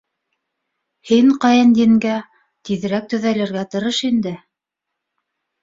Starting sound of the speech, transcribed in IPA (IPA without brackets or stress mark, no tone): h